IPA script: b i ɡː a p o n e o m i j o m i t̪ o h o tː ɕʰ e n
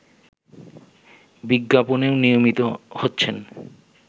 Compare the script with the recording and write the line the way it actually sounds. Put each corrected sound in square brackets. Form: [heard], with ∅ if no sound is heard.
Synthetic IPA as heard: b i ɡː a p o n e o [n] i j o m i t̪ o h o tː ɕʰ e n

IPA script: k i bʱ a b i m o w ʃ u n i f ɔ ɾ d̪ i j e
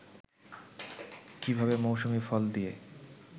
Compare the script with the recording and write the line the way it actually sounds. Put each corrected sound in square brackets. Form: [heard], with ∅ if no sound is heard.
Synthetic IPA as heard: k i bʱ a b [e] m o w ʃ u [m] i f ɔ [l] d̪ i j e

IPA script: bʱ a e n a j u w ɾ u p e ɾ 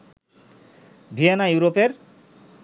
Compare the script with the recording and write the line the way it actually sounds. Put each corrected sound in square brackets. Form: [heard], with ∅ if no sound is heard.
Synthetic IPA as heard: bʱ [i] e n a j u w ɾ [o] p e ɾ

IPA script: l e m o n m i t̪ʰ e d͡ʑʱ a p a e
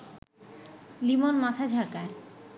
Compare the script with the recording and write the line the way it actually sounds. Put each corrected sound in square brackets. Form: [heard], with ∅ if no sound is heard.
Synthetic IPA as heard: l [i] m o n m [a] t̪ʰ [a] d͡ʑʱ a [k] a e

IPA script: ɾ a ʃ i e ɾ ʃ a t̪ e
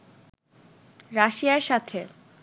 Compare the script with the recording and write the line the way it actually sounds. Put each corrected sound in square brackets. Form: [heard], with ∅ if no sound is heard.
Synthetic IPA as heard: ɾ a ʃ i [a] ɾ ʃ a [t̪ʰ] e

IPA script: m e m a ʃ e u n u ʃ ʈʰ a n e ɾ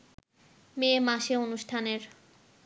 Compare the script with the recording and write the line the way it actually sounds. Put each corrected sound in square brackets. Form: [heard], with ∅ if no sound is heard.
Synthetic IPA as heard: m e m a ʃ e [o] n u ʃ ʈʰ a n e ɾ

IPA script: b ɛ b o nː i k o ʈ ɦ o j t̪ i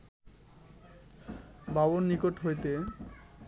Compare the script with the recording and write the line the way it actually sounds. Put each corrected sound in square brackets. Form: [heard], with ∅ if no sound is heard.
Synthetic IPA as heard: b [a] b o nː i k o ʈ ɦ o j t̪ [e]

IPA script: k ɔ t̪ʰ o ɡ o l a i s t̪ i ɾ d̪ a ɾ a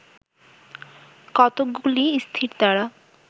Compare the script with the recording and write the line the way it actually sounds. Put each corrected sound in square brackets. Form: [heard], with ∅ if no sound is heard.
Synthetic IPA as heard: k ɔ [t̪] o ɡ [u] l [i] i s [t̪ʰ] i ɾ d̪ a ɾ a

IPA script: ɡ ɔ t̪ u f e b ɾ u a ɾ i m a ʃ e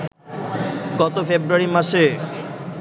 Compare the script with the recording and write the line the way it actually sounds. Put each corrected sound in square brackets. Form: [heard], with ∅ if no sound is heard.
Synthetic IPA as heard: ɡ ɔ t̪ [o] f e b ɾ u a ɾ i m a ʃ e

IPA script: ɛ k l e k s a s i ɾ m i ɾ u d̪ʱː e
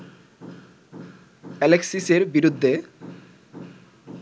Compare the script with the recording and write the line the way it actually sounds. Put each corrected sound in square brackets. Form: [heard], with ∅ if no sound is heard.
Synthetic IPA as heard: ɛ [∅] l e k s [i] s [e] ɾ [b] i ɾ u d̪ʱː e

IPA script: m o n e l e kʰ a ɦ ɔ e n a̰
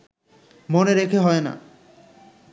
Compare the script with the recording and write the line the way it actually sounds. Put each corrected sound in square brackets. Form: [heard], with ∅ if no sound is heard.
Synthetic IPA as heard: m o n e [ɾ] e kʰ [e] ɦ ɔ e n a̰

